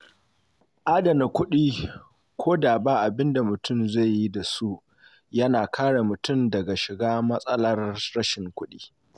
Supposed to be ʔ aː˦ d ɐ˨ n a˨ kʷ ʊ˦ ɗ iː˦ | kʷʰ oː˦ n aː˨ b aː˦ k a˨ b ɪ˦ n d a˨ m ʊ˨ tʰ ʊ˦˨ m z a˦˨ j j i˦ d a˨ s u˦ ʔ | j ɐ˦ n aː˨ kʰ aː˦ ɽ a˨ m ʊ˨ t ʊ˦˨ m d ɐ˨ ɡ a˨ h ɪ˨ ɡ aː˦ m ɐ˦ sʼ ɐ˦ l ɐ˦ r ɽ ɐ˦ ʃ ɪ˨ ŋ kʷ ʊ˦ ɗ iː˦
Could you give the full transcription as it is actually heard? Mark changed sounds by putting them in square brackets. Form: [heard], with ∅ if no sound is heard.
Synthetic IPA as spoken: ʔ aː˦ d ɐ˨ n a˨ kʷ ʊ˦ ɗ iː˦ | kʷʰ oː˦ [d] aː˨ b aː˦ [ʔ] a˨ b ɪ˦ n d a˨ m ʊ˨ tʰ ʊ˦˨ m z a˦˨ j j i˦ d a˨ s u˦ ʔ | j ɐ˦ n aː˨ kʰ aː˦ ɽ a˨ m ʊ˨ t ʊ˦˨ m d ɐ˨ ɡ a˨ [ʃ] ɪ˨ ɡ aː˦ m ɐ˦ sʼ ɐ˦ l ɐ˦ r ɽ ɐ˦ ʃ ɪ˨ ŋ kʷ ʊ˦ ɗ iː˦